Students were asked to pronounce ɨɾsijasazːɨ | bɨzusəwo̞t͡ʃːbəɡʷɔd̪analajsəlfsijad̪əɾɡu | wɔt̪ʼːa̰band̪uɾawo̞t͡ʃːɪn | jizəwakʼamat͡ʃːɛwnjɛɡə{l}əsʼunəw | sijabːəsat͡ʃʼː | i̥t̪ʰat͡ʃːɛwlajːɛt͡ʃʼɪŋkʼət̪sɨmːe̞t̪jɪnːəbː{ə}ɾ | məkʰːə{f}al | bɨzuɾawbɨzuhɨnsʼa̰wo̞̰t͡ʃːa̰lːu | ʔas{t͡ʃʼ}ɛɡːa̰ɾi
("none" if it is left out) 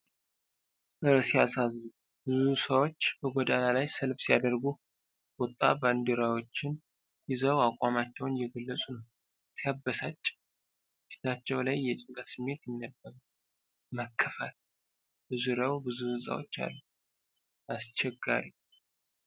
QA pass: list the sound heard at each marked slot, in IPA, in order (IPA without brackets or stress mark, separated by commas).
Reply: lː, ə, f, t͡ʃ